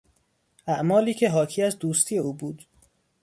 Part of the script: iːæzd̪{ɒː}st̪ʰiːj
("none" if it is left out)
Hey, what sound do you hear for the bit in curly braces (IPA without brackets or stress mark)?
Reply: uː